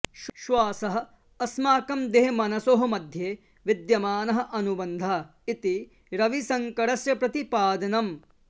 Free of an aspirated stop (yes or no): yes